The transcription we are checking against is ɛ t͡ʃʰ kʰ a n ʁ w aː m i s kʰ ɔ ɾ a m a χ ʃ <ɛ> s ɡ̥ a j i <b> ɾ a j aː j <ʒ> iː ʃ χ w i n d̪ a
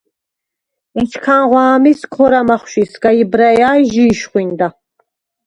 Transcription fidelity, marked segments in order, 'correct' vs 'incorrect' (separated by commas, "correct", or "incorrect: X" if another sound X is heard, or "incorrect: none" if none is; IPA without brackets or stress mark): incorrect: i, correct, correct